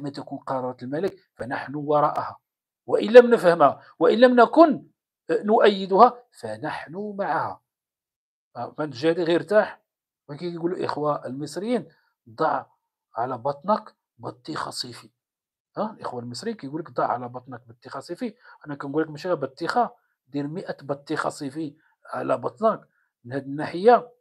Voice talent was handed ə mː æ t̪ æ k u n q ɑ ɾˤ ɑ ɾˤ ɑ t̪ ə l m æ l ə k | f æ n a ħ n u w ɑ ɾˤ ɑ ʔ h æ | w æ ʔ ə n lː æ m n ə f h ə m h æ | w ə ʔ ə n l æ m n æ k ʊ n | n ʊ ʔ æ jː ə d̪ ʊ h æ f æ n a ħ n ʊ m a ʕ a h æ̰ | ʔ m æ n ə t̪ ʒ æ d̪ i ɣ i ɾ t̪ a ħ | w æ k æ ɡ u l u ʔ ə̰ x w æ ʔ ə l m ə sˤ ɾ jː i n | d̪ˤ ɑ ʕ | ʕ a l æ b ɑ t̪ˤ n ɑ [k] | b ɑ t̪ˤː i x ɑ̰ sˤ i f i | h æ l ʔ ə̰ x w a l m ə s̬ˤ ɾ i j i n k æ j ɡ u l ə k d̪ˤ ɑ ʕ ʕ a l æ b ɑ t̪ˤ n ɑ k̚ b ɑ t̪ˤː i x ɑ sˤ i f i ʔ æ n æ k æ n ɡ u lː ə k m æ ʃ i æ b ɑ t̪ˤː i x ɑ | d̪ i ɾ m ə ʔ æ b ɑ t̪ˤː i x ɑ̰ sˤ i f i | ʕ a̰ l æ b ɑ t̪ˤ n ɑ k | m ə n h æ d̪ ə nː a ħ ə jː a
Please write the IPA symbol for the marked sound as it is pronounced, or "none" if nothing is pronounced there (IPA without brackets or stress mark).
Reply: k